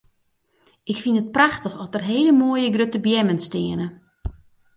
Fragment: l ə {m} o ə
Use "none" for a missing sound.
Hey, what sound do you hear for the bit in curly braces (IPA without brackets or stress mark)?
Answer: m